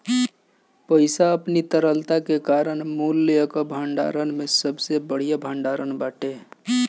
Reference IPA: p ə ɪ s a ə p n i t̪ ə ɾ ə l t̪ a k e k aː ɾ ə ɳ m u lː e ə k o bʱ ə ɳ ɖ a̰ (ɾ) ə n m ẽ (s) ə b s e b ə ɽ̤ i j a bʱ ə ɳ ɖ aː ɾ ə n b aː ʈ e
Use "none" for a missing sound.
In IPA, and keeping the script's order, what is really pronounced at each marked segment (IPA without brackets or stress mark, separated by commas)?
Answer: ɾ, s